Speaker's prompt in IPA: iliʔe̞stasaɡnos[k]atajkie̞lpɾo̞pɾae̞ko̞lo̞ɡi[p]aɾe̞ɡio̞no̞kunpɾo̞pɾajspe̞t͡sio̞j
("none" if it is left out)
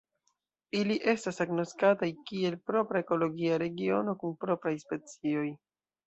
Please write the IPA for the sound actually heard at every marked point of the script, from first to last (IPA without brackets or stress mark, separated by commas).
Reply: k, none